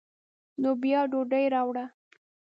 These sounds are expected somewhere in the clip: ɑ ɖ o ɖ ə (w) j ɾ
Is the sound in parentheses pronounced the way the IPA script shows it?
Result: no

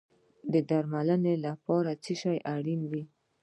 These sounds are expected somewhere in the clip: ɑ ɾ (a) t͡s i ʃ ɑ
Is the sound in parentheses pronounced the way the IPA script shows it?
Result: yes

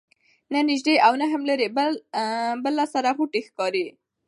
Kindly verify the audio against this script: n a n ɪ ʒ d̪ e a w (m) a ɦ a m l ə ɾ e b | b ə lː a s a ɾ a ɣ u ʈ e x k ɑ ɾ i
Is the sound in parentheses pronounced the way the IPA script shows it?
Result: no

